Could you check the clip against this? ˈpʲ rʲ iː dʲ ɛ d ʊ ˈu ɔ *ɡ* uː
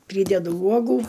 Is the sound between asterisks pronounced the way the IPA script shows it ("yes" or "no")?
yes